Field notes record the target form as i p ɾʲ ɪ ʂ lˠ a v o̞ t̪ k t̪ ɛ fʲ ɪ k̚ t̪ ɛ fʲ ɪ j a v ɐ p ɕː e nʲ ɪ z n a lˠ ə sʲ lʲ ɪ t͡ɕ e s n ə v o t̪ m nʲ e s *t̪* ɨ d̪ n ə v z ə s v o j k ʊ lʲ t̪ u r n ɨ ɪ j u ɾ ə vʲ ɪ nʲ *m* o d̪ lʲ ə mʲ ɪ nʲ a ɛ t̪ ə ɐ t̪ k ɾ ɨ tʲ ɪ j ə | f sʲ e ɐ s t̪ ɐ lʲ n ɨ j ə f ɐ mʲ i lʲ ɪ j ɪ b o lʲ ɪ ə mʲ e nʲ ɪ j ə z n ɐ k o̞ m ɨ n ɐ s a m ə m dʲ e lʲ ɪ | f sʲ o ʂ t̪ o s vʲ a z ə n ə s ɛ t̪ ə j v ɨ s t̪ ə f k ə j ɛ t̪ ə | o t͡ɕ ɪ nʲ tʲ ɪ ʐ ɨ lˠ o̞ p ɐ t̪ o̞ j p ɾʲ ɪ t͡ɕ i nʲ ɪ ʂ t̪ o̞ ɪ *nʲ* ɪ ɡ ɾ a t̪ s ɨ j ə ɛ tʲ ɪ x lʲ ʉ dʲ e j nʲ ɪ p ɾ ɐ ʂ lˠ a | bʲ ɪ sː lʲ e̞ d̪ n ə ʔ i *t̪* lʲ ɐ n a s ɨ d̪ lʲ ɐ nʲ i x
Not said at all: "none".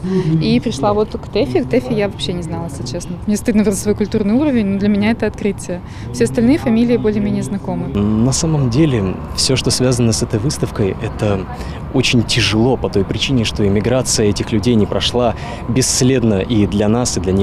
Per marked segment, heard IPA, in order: t̪, n, mʲ, d̪

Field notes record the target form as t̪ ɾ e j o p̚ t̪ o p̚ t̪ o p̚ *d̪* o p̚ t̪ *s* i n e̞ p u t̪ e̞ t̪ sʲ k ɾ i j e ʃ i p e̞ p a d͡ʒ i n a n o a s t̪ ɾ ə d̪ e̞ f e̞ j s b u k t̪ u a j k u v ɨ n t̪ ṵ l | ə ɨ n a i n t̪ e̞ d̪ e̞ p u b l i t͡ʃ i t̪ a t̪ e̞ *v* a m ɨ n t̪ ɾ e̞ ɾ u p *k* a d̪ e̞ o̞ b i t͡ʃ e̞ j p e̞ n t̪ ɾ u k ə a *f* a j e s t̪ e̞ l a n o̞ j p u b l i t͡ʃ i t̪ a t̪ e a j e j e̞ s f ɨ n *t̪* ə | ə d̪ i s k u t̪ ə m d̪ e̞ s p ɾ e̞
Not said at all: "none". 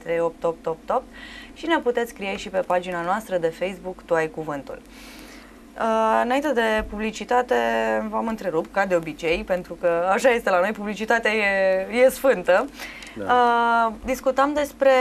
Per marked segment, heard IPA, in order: t̪, ʃ, v, k, ʃ, t̪

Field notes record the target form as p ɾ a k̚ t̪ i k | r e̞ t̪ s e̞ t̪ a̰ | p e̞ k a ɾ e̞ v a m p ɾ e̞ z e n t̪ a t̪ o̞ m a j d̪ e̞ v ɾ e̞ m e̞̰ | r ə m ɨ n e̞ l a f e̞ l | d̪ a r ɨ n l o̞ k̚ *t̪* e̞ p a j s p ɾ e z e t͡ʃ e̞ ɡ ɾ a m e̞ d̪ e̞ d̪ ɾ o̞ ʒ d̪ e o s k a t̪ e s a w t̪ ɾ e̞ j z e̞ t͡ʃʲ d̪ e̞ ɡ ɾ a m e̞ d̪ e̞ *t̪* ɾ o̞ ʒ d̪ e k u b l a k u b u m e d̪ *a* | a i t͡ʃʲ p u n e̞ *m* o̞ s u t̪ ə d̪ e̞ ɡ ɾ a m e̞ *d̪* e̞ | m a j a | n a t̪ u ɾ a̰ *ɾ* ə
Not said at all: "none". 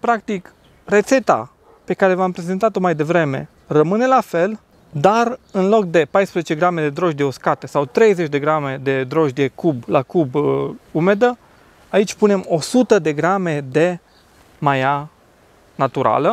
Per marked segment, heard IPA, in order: d̪, d̪, ə, m, d̪, l

